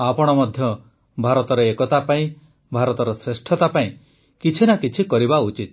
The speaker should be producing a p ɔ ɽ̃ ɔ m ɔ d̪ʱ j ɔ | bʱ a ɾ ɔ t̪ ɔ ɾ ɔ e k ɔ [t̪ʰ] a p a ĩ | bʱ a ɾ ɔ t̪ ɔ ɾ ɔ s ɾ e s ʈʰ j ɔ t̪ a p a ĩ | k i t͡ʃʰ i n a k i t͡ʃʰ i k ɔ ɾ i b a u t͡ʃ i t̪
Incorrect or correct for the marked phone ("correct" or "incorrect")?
incorrect